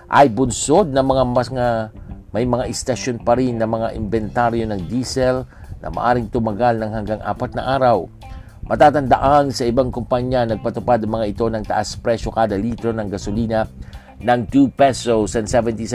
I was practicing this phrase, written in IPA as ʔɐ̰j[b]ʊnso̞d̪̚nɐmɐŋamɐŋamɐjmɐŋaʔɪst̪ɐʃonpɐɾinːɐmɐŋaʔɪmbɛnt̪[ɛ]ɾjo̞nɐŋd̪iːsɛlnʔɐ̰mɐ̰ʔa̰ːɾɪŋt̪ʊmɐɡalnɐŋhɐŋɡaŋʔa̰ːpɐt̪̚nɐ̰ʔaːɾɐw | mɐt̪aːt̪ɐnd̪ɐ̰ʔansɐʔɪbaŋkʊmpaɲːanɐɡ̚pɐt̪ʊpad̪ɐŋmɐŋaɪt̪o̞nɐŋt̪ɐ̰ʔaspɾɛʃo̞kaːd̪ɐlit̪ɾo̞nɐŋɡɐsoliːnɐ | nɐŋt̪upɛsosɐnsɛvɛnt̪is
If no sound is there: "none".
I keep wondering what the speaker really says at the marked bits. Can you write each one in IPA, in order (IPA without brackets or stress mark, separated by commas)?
b, a